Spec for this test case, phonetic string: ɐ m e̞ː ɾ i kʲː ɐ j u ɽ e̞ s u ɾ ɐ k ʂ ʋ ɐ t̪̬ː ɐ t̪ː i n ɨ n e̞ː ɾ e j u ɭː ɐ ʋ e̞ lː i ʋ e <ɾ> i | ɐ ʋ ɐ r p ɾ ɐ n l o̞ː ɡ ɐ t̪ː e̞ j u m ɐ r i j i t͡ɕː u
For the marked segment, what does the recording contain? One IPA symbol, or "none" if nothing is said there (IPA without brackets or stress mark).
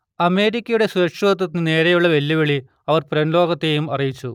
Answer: ɭ